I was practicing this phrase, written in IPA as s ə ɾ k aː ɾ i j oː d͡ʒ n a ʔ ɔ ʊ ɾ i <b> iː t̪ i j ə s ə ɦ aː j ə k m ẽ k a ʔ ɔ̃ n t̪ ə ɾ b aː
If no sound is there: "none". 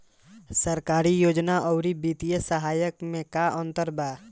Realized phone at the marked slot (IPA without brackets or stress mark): b